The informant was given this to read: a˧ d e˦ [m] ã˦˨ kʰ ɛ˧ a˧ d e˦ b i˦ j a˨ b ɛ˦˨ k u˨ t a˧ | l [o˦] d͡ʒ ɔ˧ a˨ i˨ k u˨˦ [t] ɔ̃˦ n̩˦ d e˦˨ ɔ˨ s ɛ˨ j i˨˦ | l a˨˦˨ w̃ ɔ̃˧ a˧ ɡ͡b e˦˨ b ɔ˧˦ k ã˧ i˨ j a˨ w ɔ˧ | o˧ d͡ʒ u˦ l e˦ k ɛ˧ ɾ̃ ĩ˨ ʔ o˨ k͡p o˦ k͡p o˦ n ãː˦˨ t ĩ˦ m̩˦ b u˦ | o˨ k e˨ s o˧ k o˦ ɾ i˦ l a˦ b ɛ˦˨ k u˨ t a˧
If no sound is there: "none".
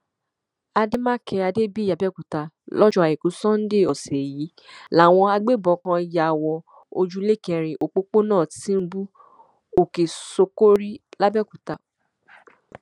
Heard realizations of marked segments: m, ɔ˦, s

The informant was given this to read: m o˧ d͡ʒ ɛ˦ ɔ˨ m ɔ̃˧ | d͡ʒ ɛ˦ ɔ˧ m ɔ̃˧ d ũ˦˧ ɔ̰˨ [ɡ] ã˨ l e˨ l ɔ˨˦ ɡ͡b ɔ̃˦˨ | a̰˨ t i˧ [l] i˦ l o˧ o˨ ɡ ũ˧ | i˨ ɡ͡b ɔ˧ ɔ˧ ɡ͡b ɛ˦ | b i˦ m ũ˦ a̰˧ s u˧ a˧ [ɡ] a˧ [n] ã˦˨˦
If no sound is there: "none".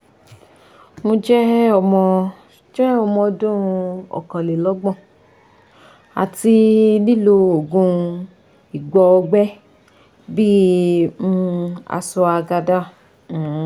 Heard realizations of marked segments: k, l, ɡ, d

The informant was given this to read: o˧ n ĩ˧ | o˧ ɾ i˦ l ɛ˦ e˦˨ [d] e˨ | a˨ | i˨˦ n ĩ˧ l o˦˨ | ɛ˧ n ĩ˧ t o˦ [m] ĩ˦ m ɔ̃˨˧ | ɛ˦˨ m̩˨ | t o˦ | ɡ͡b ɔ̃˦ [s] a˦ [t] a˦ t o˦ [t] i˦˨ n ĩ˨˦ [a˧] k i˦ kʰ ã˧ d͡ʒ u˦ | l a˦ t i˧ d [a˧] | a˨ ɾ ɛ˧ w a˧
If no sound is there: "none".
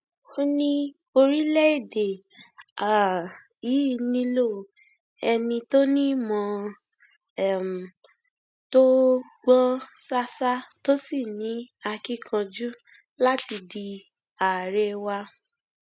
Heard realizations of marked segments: d, n, s, s, s, a˧, i˧

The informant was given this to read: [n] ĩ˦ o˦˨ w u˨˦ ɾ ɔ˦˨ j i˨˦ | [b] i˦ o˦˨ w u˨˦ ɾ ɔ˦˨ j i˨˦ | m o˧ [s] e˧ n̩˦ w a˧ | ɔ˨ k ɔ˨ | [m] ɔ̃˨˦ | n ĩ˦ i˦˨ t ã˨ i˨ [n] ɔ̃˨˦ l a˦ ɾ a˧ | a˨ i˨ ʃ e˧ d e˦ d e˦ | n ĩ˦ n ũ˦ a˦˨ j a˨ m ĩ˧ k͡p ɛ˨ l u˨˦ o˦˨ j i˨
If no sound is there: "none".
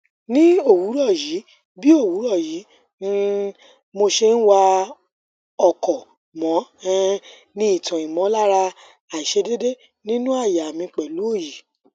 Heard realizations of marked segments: n, b, ʃ, m, m

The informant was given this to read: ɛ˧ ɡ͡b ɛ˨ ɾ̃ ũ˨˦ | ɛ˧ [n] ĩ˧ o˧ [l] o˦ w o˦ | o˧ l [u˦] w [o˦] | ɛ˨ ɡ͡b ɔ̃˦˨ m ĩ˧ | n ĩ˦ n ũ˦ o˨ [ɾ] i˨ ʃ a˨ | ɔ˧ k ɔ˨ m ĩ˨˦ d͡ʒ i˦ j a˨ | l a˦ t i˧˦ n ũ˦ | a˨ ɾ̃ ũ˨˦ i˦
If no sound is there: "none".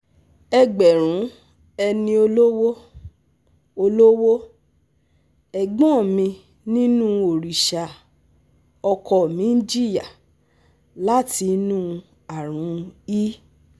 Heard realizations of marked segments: n, l, o˦, o˦, ɾ

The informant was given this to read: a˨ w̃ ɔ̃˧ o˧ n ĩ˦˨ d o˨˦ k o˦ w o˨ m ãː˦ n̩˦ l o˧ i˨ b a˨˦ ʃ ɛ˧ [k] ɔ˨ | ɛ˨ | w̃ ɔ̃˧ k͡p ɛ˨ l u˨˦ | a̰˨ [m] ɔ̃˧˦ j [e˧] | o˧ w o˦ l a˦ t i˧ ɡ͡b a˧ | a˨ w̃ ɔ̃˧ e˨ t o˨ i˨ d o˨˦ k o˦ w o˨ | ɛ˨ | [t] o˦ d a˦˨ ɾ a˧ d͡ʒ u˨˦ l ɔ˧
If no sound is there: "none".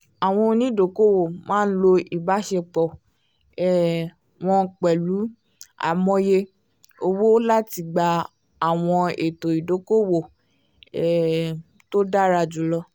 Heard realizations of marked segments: k͡p, m, e˧, t

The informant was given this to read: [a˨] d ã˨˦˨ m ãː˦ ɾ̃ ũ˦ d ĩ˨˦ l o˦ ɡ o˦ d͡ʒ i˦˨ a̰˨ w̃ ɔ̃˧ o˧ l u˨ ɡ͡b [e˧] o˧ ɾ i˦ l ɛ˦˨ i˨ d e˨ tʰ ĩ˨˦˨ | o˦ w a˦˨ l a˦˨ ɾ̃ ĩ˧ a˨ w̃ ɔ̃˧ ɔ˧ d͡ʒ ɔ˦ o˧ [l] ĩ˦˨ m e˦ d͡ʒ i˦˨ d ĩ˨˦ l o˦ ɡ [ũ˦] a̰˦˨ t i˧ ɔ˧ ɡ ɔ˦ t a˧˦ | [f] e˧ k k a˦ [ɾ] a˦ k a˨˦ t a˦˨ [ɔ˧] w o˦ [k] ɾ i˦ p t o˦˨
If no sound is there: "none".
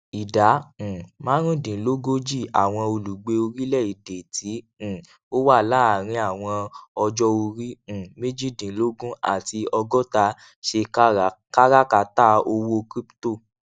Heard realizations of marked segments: i˨, e˧, ɾ, ũ˦, ʃ, ɾ, o˧, k

